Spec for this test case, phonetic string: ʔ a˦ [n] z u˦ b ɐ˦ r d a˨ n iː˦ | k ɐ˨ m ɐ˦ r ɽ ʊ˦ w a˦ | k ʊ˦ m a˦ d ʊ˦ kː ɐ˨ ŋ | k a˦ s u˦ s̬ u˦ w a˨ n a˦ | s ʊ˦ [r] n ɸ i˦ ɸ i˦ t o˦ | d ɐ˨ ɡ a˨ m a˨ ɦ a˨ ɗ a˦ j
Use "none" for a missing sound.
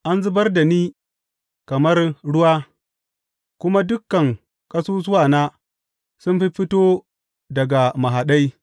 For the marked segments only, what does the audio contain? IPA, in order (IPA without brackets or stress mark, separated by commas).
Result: n, none